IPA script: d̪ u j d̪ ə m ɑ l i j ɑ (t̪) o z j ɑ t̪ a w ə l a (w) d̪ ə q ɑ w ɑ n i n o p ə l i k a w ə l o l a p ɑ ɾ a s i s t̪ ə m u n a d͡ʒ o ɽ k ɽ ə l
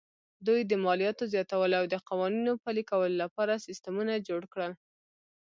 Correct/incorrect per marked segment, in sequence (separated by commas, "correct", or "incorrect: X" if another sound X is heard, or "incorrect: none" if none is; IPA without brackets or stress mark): correct, correct